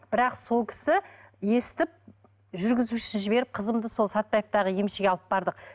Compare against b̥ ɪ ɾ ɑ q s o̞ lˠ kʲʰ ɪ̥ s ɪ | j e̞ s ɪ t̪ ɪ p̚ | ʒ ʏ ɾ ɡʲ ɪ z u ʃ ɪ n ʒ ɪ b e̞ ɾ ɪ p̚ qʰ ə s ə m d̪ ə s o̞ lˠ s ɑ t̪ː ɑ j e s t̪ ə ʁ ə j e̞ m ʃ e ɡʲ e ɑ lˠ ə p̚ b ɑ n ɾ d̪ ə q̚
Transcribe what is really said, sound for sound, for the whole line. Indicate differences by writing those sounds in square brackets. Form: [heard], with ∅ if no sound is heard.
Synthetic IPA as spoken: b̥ ɪ ɾ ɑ q s o̞ lˠ kʲʰ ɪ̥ s ɪ | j e̞ s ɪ t̪ ɪ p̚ | ʒ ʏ ɾ ɡʲ ɪ z u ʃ ɪ n ʒ ɪ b e̞ ɾ ɪ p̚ qʰ ə [z] ə m d̪ ə s o̞ lˠ s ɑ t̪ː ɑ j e [f] t̪ [ɑ] ʁ ə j e̞ m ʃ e ɡʲ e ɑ lˠ ə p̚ b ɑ [∅] ɾ d̪ ə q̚